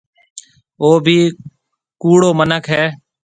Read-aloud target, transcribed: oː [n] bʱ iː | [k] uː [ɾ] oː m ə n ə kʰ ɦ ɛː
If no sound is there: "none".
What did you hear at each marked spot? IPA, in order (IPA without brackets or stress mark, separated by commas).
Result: none, k, ɽ